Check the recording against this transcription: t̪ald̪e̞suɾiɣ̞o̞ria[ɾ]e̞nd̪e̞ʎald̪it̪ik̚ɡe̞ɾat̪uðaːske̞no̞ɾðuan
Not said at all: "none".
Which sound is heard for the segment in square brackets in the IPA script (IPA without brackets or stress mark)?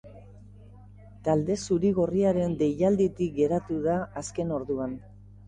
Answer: ɾ